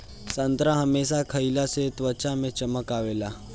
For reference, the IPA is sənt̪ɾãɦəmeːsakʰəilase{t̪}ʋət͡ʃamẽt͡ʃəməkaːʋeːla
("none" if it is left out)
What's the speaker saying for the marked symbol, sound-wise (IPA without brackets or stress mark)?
t̪